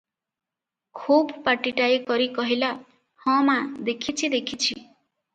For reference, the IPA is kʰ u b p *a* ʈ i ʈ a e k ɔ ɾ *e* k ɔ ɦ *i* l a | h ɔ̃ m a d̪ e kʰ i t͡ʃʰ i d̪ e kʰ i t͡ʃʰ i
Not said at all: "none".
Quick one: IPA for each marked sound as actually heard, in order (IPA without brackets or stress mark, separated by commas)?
a, i, i